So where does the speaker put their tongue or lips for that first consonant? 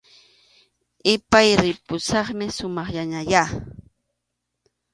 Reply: lips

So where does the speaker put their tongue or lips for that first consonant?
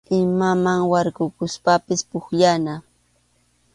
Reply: lips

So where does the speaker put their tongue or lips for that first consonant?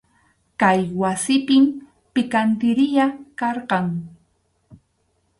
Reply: velum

